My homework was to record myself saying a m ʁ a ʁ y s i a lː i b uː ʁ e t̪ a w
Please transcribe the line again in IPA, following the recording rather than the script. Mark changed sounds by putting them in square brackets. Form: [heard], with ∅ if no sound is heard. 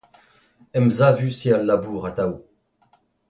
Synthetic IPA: [ɛ] m [z] a [v] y s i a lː [a] b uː ʁ [a] t̪ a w